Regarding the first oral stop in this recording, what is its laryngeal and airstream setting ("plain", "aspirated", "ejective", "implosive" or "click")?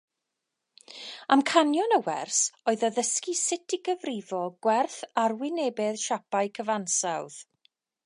aspirated